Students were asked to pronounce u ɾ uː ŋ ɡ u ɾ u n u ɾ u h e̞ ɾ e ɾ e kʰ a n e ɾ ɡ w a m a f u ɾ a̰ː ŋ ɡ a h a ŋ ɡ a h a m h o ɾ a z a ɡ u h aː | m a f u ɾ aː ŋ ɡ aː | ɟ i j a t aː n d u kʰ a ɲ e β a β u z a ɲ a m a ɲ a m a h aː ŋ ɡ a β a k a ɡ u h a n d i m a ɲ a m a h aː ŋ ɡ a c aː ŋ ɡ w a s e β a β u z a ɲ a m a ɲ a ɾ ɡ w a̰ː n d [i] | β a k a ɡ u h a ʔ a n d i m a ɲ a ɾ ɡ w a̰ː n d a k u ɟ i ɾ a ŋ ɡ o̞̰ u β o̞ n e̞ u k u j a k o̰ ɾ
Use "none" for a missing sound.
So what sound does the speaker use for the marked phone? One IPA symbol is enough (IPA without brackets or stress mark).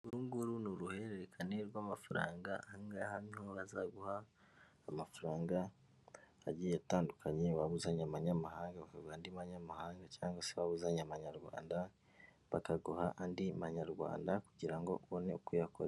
a